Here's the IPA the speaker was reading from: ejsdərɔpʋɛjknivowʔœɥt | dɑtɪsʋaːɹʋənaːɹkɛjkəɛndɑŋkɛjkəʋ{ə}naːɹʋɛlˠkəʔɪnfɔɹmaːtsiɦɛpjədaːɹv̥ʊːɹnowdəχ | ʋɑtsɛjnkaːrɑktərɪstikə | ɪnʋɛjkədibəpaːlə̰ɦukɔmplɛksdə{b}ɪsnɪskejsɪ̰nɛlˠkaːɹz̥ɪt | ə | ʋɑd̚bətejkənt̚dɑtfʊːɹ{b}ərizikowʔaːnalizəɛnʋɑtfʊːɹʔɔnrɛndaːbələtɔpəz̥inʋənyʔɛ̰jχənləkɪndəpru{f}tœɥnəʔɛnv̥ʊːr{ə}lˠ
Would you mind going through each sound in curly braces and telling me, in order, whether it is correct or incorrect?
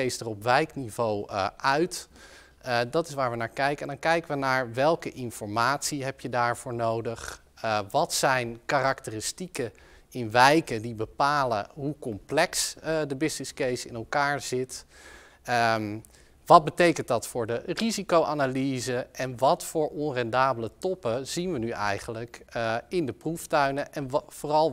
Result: correct, correct, incorrect: d, correct, incorrect: ɑ

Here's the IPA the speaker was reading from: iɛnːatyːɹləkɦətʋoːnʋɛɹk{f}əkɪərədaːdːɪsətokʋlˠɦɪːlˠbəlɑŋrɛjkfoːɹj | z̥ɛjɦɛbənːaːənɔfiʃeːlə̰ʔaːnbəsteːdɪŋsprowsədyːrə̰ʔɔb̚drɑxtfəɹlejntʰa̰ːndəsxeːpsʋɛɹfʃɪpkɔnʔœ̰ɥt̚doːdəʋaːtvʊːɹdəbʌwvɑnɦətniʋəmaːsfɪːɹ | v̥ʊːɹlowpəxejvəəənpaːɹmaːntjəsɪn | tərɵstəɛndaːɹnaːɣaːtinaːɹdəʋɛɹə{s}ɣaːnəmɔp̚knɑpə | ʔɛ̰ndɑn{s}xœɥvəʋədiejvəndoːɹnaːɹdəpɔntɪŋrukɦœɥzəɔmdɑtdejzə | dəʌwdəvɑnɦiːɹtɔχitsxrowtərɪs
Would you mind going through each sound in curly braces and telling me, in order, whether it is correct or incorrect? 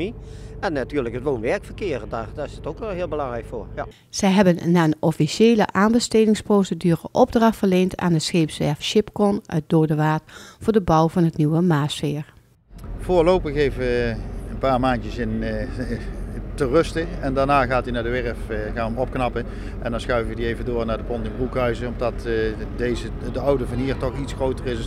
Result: correct, incorrect: f, correct

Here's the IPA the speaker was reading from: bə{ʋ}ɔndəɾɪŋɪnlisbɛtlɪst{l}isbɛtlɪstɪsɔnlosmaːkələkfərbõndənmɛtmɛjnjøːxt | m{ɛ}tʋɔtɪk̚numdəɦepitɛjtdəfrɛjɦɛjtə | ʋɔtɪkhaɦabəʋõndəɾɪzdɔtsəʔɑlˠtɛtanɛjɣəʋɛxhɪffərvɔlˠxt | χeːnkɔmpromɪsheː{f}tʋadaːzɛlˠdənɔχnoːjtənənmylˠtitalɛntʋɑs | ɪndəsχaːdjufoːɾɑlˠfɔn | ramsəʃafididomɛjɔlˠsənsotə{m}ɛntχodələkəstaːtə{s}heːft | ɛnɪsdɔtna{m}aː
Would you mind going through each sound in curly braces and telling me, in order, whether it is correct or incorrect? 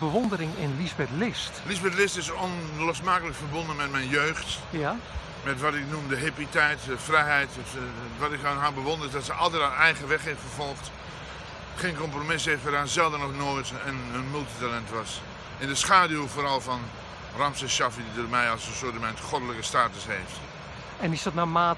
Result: correct, correct, correct, correct, correct, correct, correct

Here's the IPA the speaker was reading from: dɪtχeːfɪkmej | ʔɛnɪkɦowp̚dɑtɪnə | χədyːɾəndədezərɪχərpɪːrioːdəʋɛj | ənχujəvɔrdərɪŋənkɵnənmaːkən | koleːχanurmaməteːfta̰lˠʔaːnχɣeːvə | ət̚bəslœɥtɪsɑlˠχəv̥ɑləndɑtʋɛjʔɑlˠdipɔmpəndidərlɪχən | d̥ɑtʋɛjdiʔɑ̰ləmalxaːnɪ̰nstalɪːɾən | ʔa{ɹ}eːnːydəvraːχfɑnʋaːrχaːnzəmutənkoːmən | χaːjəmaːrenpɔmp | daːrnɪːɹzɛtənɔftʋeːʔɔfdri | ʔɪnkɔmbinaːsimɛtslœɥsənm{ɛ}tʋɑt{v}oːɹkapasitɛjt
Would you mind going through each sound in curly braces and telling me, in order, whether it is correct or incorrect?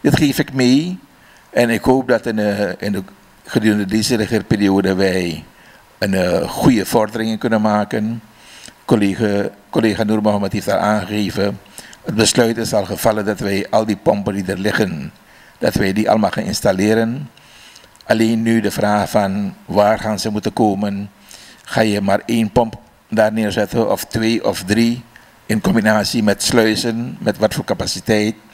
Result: incorrect: l, correct, incorrect: f

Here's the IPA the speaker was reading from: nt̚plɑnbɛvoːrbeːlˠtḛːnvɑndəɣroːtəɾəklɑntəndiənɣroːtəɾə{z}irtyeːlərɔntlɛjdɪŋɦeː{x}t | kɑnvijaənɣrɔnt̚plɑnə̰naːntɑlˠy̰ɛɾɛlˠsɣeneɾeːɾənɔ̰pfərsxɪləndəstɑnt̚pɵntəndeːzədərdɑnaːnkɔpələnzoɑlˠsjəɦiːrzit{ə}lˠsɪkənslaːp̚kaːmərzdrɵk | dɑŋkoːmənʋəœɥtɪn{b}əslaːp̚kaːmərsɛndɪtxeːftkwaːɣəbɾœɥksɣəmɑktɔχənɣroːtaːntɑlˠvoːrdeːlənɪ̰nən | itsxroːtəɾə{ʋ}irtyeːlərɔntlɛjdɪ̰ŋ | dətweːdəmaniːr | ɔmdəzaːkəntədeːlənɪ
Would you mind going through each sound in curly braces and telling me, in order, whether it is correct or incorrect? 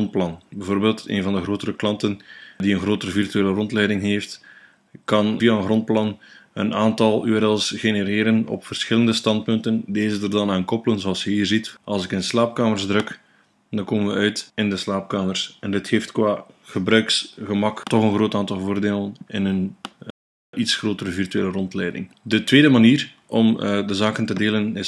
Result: incorrect: v, incorrect: f, incorrect: ɑ, incorrect: d, incorrect: v

